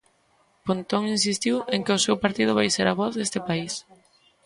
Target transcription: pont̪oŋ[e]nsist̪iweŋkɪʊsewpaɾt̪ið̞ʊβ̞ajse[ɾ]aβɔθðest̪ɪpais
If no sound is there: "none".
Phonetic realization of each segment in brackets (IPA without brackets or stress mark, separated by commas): i, ɾ